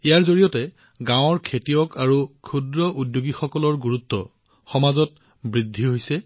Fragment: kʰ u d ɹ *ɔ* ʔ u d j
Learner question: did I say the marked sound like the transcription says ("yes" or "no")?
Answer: yes